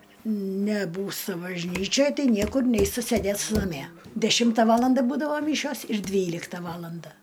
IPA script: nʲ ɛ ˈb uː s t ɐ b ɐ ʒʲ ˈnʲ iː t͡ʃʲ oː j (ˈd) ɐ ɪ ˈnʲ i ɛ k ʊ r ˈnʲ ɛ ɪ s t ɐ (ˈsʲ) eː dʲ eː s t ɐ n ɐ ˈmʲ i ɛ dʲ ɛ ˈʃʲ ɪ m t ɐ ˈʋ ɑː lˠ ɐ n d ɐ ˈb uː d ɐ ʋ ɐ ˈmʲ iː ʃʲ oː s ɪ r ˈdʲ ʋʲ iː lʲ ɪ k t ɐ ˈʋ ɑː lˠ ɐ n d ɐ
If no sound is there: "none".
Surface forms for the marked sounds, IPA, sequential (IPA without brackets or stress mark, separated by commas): t, sʲ